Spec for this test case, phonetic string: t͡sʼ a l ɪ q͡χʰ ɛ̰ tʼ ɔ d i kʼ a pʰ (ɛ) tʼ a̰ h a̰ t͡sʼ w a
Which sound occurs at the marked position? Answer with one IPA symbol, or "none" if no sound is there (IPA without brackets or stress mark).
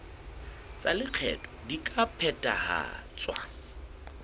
ɛ